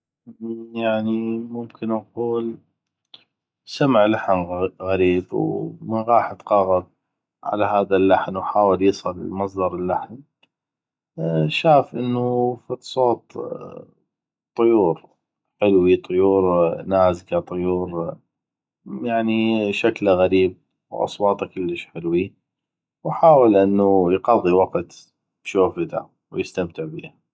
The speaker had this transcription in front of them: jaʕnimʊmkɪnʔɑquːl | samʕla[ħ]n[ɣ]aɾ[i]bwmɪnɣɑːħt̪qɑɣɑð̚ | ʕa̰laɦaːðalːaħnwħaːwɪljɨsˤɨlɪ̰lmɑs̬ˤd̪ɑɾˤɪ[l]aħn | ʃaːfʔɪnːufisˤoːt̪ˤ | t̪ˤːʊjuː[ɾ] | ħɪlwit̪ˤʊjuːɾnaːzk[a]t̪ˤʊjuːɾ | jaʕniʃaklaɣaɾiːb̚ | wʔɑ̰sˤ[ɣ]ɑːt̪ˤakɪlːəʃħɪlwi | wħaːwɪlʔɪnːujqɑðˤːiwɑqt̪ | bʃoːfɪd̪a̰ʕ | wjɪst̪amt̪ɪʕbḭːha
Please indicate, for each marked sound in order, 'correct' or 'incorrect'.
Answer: correct, correct, incorrect, incorrect, correct, correct, incorrect

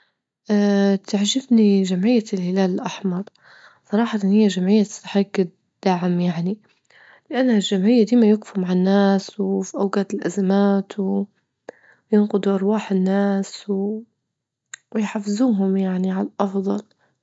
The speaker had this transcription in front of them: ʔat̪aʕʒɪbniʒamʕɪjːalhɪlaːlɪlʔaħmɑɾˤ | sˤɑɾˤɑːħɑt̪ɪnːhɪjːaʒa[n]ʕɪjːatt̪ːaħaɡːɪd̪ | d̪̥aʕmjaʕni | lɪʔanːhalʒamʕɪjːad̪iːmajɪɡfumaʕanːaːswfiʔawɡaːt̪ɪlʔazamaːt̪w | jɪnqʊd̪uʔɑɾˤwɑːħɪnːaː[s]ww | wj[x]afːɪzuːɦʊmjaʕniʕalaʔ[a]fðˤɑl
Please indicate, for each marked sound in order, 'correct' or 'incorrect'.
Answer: incorrect, correct, incorrect, incorrect

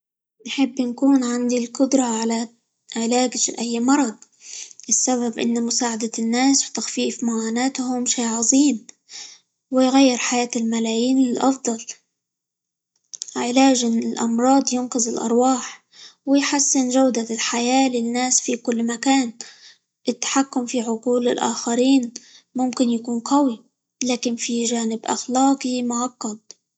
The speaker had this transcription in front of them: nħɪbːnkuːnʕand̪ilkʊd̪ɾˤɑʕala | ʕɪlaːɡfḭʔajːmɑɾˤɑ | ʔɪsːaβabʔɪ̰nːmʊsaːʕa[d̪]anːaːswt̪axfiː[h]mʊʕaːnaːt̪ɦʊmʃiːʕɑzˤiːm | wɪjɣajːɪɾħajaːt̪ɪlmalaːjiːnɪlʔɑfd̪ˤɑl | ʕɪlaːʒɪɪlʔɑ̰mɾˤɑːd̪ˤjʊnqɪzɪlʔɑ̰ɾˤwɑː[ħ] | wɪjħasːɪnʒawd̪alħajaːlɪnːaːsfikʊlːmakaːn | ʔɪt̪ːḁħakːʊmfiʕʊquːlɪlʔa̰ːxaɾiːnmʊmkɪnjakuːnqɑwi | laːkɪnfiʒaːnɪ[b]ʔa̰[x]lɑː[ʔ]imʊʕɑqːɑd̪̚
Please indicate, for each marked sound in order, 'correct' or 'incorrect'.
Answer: correct, incorrect, correct, correct, correct, incorrect

